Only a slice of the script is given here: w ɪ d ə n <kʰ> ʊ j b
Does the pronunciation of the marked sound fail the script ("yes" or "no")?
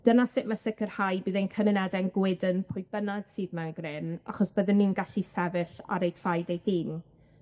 yes